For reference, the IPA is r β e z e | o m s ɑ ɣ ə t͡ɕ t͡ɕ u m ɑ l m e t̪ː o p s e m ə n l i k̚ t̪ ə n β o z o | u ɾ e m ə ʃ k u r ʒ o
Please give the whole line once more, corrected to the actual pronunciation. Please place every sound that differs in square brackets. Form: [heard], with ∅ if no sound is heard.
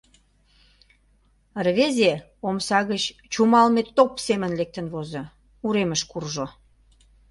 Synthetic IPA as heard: r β e z e | o m s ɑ ɣ ə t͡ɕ t͡ɕ u m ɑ l m e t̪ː o p s e m ə n l [e] k̚ t̪ ə n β o z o | u ɾ e m ə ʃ k u r ʒ o